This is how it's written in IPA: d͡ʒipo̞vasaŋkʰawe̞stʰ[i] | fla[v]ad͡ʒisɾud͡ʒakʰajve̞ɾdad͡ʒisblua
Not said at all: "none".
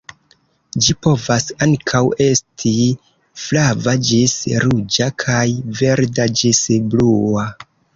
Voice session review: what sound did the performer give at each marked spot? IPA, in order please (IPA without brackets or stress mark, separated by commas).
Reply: i, v